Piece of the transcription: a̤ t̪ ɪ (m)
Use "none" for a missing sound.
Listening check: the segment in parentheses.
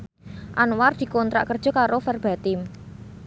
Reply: m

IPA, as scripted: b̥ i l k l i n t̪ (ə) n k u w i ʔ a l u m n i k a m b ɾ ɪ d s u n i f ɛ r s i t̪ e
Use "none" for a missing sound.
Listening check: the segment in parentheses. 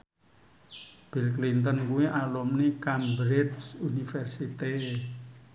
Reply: ə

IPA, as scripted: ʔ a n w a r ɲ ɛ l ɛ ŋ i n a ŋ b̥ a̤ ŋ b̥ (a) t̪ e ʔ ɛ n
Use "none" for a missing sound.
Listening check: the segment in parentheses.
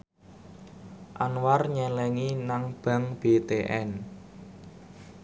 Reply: e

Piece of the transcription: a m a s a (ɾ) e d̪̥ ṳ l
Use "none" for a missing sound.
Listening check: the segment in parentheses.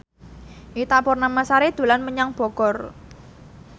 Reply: ɾ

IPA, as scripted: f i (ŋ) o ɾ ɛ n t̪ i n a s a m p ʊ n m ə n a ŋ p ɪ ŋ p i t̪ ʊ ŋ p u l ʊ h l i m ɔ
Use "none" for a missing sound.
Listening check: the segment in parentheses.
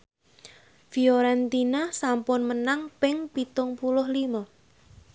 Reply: none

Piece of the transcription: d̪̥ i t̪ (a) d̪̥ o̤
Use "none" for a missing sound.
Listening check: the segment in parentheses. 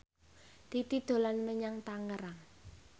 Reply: i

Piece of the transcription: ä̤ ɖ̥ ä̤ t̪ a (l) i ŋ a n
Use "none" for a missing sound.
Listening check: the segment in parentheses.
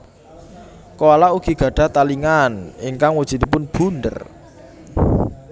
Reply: l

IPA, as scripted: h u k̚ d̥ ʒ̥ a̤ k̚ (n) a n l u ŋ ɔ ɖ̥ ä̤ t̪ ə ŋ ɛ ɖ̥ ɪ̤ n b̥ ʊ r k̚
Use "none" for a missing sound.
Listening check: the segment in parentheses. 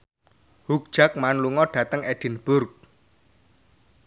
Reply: m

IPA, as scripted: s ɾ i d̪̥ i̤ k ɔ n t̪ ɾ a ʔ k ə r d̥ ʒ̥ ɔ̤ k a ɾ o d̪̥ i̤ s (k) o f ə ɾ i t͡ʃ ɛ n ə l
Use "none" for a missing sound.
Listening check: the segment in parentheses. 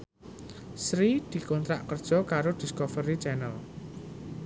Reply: k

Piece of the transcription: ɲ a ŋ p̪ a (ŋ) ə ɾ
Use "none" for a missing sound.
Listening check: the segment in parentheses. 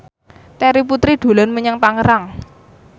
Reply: ŋ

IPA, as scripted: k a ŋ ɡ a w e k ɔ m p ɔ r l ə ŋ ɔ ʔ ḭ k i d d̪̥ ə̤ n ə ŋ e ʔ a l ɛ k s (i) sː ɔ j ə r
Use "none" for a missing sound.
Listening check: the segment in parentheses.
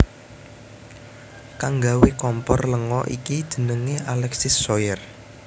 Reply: ɪ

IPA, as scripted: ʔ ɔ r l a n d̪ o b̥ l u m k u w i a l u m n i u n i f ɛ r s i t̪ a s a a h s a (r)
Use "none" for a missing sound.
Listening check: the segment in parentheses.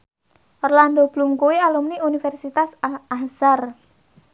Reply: r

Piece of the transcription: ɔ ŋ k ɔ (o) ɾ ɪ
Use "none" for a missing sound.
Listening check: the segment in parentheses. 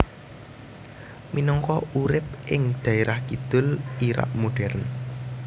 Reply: u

